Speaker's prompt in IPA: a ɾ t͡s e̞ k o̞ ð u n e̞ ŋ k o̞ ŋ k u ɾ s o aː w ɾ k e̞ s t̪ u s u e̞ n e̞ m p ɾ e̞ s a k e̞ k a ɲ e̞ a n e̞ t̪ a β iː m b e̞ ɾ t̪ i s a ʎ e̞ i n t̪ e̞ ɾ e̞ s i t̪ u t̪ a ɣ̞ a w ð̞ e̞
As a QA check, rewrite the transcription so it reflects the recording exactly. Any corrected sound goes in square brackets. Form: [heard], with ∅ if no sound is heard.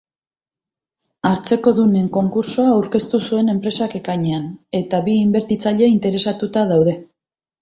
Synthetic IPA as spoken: a ɾ t͡s e̞ k o̞ ð u n e̞ ŋ k o̞ ŋ k u ɾ s o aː w ɾ k e̞ s t̪ u s u e̞ n e̞ m p ɾ e̞ s a k e̞ k a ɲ e̞ a n e̞ t̪ a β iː m b e̞ ɾ t̪ i [t͡s] a ʎ e̞ i n t̪ e̞ ɾ e̞ s [a] t̪ u t̪ a [ð̞] a w ð̞ e̞

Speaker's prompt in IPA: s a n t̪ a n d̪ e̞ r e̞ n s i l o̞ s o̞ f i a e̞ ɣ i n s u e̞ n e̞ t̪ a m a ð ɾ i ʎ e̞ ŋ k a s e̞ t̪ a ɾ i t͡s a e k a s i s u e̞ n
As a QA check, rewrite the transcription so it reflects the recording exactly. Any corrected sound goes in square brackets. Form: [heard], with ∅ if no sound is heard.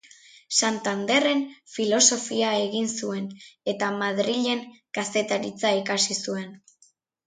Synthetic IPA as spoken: s a n t̪ a n d̪ e̞ r e̞ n [f] i l o̞ s o̞ f i a e̞ ɣ i n s u e̞ n e̞ t̪ a m a ð ɾ i ʎ e̞ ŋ k a s e̞ t̪ a ɾ i t͡s a [i] k a s i s u e̞ n

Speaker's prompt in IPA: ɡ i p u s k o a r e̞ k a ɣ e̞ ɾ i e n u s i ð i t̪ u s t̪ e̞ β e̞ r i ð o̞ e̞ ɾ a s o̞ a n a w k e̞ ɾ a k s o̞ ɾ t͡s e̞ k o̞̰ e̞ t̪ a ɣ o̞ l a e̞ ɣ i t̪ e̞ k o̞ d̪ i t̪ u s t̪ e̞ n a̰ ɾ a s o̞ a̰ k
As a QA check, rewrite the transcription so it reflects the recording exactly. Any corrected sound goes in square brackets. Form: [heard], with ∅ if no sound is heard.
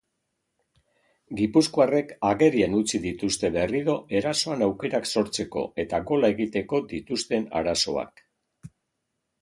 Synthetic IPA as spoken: ɡ i p u s k o a r e̞ k a ɣ e̞ ɾ i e n u [t͡s] i ð i t̪ u s t̪ e̞ β e̞ r i ð o̞ e̞ ɾ a s o̞ a n a w k e̞ ɾ a k s o̞ ɾ t͡s e̞ k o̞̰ e̞ t̪ a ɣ o̞ l a e̞ ɣ i t̪ e̞ k o̞ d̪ i t̪ u s t̪ e̞ n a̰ ɾ a s o̞ a̰ k

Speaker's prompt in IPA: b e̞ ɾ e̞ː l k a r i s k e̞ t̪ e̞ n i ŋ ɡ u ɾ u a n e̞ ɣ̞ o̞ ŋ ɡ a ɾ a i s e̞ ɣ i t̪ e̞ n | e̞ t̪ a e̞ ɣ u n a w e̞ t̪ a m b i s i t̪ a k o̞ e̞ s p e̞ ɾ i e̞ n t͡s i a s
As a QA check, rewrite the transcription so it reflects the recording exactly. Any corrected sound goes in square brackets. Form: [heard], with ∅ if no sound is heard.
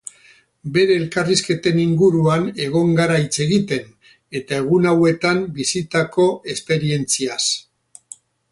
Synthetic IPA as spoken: b e̞ ɾ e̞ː l k a r i s k e̞ t̪ e̞ n i ŋ ɡ u ɾ u a n e̞ ɣ̞ o̞ ŋ ɡ a ɾ a i [t͡s] e̞ ɣ i t̪ e̞ n | e̞ t̪ a e̞ ɣ u n a w e̞ t̪ a m b i s i t̪ a k o̞ e̞ s p e̞ ɾ i e̞ n t͡s i a s

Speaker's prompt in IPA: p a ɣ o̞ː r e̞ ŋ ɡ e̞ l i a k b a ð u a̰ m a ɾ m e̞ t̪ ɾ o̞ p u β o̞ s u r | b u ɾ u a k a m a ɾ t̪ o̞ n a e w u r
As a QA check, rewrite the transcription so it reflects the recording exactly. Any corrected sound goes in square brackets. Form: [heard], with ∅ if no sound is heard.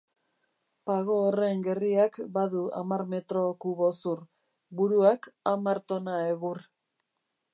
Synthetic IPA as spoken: p a ɣ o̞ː r e̞ ŋ ɡ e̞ [r] i a k b a ð u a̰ m a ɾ m e̞ t̪ ɾ o̞ [k] u β o̞ s u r | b u ɾ u a k a m a ɾ t̪ o̞ n a e [ɣ] u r

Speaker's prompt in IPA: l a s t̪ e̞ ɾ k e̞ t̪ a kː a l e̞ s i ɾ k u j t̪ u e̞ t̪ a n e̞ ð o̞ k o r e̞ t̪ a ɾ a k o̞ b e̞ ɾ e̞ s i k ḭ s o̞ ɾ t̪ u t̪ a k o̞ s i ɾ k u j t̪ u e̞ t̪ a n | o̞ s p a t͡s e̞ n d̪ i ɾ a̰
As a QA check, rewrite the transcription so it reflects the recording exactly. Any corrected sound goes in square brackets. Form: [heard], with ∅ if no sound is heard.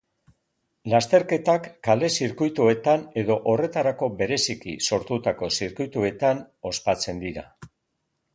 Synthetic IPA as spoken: l a s t̪ e̞ ɾ k e̞ t̪ a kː a l e̞ s i ɾ k u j t̪ u e̞ t̪ a n e̞ ð o̞ [ʔ] o r e̞ t̪ a ɾ a k o̞ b e̞ ɾ e̞ s i k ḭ s o̞ ɾ t̪ u t̪ a k o̞ s i ɾ k u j t̪ u e̞ t̪ a n | o̞ s p a t͡s e̞ n d̪ i ɾ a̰

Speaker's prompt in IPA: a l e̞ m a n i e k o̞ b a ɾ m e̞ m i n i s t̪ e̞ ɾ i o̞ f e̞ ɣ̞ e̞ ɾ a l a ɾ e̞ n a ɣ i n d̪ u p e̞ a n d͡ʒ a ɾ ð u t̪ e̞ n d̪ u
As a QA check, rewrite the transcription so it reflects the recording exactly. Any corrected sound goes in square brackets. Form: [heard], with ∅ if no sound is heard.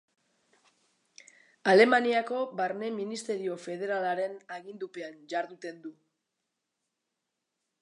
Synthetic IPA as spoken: a l e̞ m a n i [a] k o̞ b a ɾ [n] e̞ m i n i s t̪ e̞ ɾ i o̞ f e̞ [ð̞] e̞ ɾ a l a ɾ e̞ n a ɣ i n d̪ u p e̞ a n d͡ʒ a ɾ ð u t̪ e̞ n d̪ u

